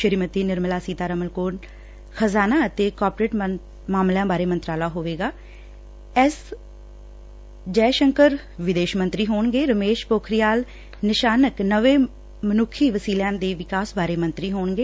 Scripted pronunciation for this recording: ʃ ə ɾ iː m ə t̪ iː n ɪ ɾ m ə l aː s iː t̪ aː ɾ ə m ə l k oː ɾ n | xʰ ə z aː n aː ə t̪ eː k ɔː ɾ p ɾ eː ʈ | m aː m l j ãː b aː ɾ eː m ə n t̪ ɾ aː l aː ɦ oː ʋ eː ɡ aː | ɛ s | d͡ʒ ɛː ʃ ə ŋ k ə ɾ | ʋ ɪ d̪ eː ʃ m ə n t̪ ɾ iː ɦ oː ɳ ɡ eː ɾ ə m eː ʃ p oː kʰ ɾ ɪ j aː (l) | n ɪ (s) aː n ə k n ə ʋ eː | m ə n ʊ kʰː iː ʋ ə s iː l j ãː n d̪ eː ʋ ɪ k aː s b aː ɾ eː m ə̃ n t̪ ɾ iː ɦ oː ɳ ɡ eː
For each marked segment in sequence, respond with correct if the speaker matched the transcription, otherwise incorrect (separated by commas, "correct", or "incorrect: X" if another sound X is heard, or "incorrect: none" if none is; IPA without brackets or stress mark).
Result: correct, incorrect: ʃ